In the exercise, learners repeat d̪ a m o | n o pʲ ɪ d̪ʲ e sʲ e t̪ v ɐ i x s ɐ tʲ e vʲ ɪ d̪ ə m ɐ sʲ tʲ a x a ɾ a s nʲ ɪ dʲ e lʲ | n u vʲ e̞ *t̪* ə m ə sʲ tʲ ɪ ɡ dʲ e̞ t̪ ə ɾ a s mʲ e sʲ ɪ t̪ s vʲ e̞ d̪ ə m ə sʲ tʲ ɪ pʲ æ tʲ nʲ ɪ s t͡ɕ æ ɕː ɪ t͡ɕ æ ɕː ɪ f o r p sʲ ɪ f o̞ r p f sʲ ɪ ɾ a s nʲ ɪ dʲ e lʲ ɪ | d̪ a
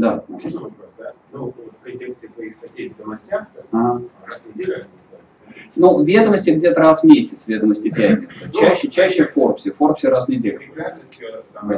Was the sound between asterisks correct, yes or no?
no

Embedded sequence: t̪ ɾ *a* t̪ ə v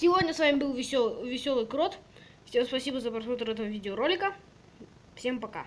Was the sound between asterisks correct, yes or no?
no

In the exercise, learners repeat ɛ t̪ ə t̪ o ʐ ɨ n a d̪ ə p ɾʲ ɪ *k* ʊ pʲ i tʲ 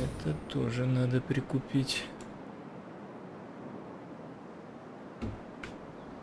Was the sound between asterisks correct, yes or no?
yes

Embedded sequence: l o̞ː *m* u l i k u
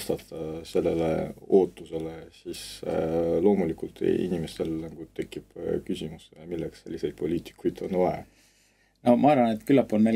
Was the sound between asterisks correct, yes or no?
yes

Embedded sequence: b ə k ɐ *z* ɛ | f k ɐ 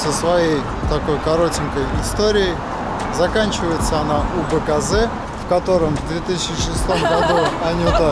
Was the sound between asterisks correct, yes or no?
yes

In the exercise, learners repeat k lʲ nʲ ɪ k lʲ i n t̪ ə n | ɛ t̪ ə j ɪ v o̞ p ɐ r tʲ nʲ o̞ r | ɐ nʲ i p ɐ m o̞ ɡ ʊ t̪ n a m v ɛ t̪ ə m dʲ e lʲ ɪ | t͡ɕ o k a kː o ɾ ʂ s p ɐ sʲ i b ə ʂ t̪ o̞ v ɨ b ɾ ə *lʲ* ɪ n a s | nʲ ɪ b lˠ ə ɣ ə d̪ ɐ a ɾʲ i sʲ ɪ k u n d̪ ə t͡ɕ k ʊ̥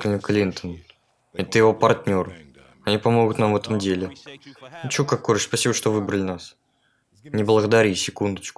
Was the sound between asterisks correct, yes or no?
yes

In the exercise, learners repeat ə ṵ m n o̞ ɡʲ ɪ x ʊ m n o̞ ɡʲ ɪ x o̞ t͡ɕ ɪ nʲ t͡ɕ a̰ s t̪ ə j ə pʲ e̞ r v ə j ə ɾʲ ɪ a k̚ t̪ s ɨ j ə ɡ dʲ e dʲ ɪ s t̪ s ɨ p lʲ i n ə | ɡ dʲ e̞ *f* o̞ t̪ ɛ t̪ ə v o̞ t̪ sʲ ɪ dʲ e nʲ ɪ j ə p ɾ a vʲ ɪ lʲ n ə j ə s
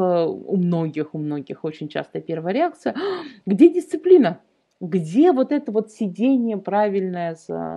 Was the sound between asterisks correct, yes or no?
no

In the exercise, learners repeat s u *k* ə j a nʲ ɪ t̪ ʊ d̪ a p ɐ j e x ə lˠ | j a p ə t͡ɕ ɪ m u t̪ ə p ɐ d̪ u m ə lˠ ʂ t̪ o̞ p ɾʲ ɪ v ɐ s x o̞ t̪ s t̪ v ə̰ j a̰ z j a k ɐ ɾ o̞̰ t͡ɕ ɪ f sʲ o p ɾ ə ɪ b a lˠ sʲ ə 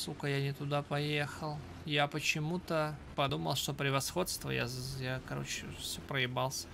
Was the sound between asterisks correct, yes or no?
yes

